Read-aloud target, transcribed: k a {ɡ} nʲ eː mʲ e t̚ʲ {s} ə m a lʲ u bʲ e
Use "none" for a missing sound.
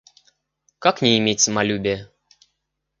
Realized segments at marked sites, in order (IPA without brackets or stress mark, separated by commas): k, s